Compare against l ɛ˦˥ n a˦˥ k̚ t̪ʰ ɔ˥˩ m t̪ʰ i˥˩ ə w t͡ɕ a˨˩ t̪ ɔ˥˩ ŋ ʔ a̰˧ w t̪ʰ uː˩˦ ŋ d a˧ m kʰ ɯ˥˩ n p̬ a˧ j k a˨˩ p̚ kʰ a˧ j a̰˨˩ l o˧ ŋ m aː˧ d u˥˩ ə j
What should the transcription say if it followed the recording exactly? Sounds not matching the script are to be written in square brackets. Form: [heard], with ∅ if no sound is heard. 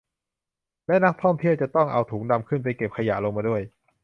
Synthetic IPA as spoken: l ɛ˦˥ n a˦˥ k̚ t̪ʰ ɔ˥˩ m t̪ʰ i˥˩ ə w t͡ɕ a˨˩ t̪ ɔ˥˩ ŋ ʔ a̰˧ w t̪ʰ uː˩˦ ŋ d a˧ m kʰ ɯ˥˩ n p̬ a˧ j k [e˨˩] p̚ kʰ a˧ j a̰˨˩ l o˧ ŋ m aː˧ d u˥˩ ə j